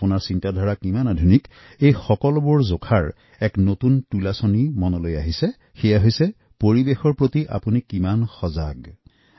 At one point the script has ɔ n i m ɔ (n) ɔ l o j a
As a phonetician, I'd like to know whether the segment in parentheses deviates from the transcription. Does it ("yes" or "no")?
no